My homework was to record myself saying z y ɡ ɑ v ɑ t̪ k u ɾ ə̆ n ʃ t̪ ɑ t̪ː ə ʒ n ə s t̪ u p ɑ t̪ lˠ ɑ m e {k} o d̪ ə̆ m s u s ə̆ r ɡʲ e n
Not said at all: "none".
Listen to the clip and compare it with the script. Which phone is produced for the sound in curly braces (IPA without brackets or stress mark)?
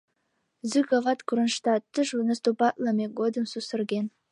ɡ